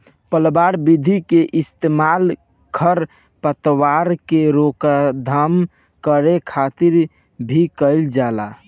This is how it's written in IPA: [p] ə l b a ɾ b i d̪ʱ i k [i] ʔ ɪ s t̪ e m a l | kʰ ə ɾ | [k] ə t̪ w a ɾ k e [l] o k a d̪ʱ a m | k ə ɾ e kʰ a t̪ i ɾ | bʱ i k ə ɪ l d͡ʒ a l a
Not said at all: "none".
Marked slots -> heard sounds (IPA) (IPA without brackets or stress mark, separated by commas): p, e, p, ɾ